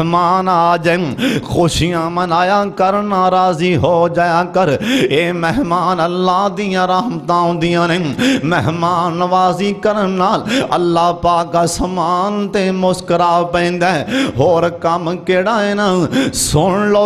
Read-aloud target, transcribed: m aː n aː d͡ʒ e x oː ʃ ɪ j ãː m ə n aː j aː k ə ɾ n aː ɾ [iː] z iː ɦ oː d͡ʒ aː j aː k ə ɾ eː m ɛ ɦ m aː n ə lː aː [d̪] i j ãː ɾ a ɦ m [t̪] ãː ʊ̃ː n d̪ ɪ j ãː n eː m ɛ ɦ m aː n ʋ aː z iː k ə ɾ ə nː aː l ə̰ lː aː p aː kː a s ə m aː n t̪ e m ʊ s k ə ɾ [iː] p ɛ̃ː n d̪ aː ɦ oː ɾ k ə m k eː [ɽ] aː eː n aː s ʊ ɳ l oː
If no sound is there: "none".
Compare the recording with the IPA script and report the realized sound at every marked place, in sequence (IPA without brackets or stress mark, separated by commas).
aː, d̪, t̪, aː, ɽ